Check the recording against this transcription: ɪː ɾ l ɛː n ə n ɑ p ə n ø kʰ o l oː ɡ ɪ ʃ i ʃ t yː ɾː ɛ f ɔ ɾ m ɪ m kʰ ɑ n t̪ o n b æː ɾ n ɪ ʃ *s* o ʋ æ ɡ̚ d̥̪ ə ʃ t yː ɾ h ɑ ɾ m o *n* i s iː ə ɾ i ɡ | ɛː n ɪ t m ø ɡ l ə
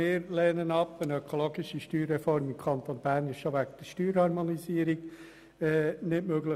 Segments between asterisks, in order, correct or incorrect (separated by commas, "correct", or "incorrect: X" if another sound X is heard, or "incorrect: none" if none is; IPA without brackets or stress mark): incorrect: ʃ, correct